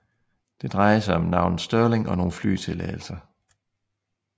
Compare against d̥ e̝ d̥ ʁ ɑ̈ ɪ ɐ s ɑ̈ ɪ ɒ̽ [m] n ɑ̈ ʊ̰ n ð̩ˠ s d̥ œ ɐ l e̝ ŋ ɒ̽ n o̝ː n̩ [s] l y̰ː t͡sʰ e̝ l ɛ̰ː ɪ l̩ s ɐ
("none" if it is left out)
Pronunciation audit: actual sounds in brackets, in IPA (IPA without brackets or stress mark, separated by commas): m, f